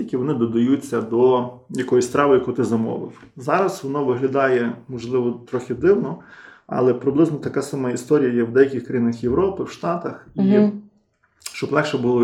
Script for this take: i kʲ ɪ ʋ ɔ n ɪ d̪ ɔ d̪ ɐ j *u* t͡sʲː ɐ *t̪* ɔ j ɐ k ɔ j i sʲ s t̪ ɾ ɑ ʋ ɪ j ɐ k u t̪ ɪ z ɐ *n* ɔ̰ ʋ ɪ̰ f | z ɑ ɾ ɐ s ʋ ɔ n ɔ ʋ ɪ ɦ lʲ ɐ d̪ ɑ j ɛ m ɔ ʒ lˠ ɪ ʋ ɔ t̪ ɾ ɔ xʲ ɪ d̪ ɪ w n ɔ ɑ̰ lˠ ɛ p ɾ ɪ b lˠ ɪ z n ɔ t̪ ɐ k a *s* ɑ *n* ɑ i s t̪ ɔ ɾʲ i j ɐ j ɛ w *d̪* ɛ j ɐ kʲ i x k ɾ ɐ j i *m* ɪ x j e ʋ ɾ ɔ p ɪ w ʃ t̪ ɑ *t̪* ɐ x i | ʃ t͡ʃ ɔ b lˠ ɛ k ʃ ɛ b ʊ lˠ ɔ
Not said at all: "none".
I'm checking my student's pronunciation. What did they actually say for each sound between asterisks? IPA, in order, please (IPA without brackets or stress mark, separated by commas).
u, d̪, m, s, m, d̪, n, t̪